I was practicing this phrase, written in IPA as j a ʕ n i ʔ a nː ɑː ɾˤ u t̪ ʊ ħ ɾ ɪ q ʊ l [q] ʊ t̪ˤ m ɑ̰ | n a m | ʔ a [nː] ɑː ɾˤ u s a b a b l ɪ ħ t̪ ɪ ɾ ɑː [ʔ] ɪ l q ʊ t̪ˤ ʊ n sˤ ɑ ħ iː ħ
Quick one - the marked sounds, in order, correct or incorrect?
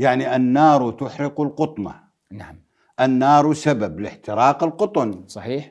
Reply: correct, correct, incorrect: q

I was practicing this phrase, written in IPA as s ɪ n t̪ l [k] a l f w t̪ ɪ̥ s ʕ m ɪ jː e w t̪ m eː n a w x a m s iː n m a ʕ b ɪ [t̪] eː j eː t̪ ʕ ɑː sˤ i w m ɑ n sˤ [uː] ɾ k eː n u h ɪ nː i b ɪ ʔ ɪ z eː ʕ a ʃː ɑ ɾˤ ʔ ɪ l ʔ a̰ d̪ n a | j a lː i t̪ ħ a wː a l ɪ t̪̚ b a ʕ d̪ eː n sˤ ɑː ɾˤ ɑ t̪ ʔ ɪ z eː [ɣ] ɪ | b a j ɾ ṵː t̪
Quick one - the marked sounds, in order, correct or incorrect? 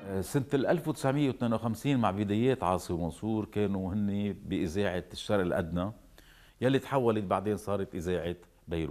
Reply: incorrect: ʔ, incorrect: d̪, correct, incorrect: ʕ

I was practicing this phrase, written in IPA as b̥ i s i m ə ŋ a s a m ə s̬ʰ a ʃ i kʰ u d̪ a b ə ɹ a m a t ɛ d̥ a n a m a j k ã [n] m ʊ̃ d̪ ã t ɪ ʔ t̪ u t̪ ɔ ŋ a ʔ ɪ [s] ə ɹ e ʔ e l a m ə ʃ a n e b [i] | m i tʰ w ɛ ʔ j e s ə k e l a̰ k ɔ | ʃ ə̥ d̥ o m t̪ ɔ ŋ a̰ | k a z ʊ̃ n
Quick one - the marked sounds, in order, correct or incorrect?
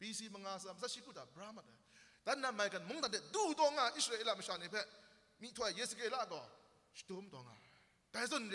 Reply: correct, correct, incorrect: ɛ

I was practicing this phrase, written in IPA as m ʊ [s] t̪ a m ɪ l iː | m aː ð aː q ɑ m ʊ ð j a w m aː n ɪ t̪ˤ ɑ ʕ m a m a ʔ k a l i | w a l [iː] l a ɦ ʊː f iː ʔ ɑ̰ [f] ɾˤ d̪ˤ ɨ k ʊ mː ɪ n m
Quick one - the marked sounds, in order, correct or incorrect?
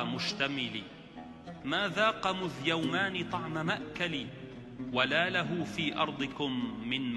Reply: incorrect: ʃ, incorrect: aː, incorrect: none

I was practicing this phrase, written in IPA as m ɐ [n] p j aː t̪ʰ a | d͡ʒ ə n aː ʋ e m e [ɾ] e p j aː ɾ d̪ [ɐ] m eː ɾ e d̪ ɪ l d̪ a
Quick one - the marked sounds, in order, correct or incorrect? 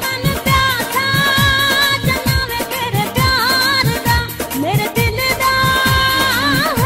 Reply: correct, correct, incorrect: a

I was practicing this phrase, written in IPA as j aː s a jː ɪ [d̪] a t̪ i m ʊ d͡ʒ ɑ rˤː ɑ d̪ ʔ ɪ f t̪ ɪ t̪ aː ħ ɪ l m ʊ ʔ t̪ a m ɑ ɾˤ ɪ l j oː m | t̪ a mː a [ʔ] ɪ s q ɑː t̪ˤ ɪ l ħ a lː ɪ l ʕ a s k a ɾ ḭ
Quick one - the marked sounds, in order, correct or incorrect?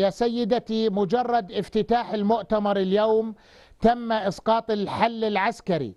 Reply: correct, correct

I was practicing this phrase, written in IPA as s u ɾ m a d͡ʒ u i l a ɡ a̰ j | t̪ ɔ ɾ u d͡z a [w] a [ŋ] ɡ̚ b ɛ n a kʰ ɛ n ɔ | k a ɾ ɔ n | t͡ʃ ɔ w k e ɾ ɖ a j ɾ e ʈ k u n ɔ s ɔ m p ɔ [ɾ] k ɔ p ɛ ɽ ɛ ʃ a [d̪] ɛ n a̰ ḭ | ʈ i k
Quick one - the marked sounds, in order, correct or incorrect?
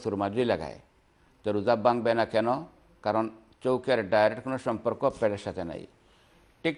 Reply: incorrect: b, correct, correct, incorrect: t̪

